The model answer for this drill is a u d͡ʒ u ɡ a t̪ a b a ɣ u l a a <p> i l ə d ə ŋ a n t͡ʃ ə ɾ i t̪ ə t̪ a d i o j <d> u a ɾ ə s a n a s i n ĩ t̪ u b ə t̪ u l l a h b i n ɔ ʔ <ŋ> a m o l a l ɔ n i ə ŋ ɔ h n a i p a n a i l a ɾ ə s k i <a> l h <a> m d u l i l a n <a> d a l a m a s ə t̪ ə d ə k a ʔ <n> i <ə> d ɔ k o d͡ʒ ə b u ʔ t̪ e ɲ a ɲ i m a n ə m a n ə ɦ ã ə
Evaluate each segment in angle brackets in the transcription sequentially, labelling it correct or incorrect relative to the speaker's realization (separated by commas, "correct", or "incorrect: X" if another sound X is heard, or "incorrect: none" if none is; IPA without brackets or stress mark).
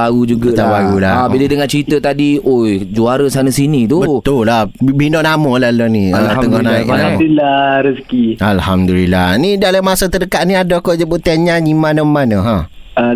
incorrect: b, incorrect: d͡ʒ, incorrect: n, correct, correct, incorrect: i, correct, incorrect: a